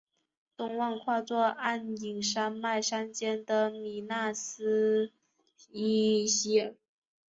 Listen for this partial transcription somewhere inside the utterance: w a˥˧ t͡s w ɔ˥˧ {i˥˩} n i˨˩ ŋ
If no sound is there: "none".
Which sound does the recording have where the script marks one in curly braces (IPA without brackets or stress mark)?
a˥˩